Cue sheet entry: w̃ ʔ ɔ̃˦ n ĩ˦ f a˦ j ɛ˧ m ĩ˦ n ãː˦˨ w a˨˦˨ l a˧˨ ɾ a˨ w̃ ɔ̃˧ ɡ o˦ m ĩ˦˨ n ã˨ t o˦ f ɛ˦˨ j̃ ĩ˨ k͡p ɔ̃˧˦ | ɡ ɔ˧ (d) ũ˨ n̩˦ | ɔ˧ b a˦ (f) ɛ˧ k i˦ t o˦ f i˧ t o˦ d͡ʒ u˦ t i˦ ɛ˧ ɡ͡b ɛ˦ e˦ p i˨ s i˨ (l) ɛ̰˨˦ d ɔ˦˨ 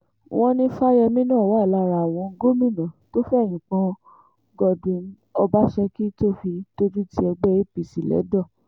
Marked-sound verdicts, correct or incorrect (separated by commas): correct, incorrect, correct